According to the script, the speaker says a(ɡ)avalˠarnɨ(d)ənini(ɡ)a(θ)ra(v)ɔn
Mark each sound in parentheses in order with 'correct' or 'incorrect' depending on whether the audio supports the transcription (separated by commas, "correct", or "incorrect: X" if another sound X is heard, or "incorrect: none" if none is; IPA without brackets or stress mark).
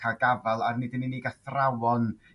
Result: correct, correct, correct, correct, incorrect: w